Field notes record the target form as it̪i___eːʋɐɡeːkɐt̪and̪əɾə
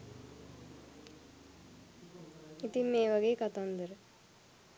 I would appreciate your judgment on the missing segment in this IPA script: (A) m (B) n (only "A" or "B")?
A